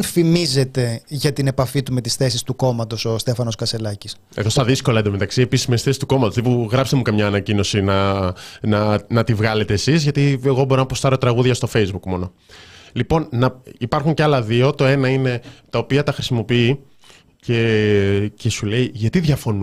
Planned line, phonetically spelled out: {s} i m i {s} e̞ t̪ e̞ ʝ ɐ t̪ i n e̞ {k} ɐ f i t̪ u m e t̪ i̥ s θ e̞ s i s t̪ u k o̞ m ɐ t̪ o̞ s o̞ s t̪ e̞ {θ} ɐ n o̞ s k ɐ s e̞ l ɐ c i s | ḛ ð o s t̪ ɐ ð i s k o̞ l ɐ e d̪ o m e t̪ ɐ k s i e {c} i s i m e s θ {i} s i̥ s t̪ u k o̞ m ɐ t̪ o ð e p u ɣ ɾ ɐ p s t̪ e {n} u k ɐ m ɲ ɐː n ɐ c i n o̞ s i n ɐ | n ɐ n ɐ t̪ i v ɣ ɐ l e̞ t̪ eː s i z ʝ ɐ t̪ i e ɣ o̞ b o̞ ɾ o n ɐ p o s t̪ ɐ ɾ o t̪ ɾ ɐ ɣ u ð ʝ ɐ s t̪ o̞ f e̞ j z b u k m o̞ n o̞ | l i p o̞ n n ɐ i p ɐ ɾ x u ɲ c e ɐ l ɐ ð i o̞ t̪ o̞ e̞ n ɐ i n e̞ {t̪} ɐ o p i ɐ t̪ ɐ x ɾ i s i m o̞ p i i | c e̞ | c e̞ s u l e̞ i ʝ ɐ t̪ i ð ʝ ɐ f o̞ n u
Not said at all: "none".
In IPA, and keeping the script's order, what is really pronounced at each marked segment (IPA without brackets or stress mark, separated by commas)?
f, z, p, f, p, e, m, t̪